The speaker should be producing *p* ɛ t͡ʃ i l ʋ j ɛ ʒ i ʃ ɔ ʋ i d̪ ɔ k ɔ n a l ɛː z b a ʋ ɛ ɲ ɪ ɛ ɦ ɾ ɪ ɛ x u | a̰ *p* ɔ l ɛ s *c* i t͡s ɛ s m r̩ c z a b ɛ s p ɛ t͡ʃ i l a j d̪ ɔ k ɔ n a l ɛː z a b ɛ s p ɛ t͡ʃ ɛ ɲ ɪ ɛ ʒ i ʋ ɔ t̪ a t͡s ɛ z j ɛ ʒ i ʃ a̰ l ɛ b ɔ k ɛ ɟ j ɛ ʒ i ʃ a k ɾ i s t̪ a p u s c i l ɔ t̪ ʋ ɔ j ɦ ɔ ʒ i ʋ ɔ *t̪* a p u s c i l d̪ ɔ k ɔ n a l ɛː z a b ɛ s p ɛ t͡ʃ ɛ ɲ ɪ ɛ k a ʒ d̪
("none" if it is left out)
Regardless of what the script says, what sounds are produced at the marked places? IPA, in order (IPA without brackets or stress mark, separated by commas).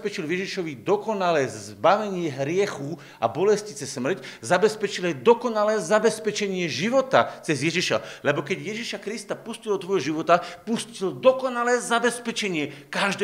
p, b, c, t̪